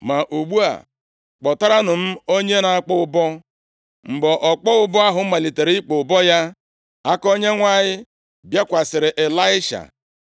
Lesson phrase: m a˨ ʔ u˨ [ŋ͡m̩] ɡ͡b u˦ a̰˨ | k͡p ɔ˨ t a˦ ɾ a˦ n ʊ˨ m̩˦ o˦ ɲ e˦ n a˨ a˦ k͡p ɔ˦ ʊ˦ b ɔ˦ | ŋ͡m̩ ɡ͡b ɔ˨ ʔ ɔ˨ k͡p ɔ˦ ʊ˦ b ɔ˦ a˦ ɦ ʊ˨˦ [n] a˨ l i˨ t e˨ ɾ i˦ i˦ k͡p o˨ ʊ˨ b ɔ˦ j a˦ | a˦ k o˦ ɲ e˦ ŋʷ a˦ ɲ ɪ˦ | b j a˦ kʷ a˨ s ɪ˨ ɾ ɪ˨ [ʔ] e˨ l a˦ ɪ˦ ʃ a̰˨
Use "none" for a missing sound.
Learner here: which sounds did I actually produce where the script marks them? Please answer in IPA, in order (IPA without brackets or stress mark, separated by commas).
none, m, ʔ